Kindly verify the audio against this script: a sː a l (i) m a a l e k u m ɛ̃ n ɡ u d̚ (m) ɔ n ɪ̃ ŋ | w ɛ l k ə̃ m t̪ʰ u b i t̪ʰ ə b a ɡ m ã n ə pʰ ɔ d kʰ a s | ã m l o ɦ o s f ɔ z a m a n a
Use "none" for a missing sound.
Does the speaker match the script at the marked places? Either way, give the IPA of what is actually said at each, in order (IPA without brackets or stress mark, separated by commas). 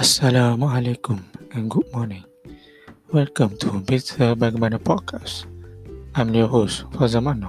a, m